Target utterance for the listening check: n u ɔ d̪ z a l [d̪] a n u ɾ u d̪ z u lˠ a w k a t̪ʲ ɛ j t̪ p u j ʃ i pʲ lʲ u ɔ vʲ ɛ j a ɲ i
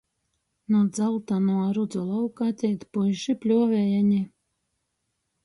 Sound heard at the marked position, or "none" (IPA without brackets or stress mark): t̪